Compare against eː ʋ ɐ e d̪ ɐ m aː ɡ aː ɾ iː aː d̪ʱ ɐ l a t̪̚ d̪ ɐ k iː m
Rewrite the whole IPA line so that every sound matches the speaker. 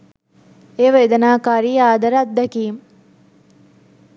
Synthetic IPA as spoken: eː ʋ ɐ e d̪ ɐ n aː k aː ɾ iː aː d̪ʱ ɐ ɾ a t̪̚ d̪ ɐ k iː m